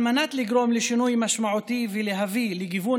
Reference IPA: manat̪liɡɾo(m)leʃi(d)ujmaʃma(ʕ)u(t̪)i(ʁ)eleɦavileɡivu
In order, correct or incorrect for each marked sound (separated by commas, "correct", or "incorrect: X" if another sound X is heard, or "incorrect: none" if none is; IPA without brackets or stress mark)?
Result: correct, incorrect: n, correct, correct, incorrect: v